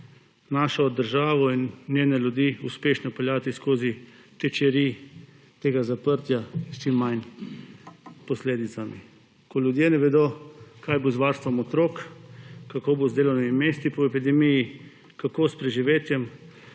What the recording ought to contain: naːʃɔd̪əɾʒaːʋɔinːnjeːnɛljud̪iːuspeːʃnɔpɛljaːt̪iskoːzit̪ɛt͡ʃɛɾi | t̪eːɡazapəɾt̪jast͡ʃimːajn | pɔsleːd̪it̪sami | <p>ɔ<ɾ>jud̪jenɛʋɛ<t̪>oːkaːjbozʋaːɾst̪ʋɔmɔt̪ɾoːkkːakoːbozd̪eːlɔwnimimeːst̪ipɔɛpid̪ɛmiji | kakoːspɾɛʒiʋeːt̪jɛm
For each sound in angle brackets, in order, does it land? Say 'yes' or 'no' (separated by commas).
no, no, no